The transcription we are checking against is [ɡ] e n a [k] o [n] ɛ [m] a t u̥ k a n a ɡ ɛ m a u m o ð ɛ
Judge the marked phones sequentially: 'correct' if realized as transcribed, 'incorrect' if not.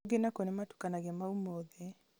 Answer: correct, correct, correct, correct

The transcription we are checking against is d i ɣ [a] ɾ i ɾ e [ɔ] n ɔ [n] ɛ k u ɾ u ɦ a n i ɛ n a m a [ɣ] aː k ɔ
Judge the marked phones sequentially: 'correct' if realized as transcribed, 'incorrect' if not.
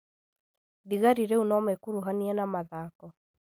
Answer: correct, incorrect: u, incorrect: m, incorrect: ð

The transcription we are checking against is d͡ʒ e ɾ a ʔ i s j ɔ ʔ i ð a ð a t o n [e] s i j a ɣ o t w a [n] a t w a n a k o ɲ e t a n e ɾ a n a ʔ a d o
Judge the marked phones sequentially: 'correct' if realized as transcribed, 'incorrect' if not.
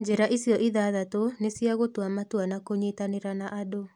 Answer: correct, incorrect: m

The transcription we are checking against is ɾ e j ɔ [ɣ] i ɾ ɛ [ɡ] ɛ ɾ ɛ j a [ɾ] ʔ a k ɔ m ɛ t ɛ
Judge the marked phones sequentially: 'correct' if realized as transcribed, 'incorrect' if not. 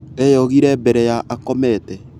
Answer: correct, incorrect: b, incorrect: none

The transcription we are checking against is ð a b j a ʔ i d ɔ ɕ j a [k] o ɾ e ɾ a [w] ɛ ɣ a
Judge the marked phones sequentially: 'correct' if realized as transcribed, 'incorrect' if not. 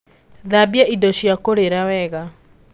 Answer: correct, correct

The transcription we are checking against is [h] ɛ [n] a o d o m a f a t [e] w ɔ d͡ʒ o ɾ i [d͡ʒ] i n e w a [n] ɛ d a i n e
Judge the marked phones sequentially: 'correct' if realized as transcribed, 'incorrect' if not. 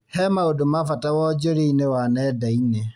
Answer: correct, incorrect: m, incorrect: a, incorrect: none, correct

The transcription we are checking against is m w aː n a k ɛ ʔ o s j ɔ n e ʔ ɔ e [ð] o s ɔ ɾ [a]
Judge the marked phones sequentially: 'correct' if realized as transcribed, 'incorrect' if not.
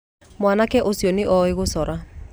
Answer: incorrect: ɣ, correct

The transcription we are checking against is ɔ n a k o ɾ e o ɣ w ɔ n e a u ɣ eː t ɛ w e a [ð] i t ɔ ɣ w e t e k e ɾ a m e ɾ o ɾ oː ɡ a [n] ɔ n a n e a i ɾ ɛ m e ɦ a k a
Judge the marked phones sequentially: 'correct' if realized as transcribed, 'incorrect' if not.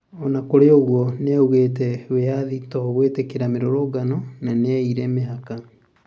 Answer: correct, correct

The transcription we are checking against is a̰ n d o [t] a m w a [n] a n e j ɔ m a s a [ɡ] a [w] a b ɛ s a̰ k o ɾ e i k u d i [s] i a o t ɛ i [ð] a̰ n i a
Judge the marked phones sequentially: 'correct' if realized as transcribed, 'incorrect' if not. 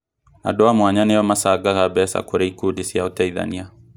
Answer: incorrect: none, incorrect: ɲ, correct, incorrect: ɣ, correct, correct

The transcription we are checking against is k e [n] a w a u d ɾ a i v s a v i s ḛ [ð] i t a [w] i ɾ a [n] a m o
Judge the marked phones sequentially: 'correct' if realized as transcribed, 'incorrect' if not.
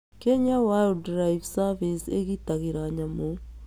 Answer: incorrect: ɲ, incorrect: ɣ, incorrect: ɣ, incorrect: ɲ

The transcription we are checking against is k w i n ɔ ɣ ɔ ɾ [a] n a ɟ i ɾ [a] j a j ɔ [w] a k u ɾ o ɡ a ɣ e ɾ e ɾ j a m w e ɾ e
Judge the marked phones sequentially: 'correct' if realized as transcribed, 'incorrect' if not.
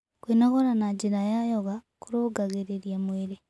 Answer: correct, correct, incorrect: ɣ

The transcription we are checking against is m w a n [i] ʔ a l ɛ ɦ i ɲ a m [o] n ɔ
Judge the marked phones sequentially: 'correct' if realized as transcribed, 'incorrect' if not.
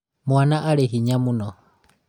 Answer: incorrect: a, incorrect: u

